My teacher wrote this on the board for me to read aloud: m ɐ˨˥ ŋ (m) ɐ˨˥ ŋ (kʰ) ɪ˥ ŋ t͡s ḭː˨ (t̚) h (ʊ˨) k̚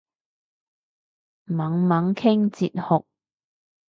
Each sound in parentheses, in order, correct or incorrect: correct, correct, correct, correct

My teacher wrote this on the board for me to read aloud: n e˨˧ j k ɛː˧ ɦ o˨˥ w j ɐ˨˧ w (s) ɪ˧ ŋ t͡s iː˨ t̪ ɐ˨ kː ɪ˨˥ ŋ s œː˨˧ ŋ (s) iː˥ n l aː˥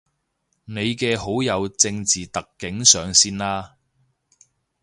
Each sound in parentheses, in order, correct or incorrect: incorrect: t͡s, correct

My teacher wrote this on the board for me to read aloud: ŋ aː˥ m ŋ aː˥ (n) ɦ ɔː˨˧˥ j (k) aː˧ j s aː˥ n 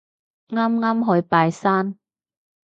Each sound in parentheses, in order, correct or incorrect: incorrect: m, incorrect: p

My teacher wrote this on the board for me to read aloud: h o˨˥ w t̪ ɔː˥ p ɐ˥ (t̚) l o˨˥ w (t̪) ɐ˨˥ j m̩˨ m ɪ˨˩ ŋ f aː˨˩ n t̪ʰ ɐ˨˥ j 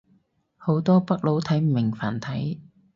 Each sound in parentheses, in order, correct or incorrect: incorrect: k̚, incorrect: t̪ʰ

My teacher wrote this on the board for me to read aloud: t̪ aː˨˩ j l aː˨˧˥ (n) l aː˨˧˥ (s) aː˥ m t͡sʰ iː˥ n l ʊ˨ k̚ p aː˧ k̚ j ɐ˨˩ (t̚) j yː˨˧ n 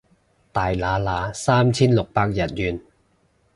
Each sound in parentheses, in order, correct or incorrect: incorrect: none, correct, correct

